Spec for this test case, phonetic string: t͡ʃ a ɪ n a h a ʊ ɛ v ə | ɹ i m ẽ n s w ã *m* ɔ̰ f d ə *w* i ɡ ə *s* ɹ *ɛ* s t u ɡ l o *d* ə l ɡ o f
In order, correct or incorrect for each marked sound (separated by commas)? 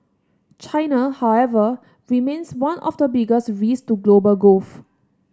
incorrect, incorrect, correct, incorrect, incorrect